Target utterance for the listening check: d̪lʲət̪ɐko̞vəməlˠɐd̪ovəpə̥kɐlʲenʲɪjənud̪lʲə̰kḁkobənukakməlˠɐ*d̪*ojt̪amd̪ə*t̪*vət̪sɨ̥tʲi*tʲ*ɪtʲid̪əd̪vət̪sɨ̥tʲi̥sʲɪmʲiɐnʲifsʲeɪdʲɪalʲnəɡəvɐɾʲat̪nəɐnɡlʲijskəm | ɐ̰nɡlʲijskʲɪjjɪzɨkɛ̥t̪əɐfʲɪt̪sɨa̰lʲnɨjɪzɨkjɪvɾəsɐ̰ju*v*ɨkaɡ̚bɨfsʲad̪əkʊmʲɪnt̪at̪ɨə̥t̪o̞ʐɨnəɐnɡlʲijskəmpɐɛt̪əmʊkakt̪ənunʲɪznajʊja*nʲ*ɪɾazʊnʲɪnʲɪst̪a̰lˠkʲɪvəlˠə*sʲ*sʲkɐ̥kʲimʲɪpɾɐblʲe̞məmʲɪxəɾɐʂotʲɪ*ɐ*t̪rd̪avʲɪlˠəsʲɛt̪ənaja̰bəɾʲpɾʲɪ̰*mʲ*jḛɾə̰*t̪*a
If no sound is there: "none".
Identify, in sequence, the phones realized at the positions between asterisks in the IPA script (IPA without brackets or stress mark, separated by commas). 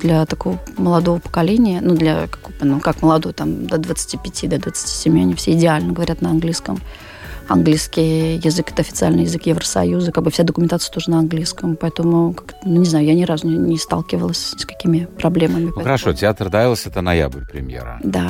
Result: d̪, d̪, pʲ, z, nʲ, sʲ, a, mʲ, d̪